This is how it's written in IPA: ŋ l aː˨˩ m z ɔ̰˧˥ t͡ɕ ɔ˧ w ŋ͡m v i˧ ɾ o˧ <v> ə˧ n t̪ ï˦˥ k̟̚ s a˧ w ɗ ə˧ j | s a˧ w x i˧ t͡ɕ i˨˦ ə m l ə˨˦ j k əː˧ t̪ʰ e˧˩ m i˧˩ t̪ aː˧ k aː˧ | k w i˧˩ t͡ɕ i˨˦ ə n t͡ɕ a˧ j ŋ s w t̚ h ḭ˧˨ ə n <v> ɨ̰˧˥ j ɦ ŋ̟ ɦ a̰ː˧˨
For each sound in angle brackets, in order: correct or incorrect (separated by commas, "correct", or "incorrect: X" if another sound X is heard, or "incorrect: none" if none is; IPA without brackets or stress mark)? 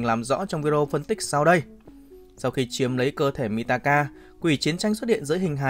incorrect: f, incorrect: z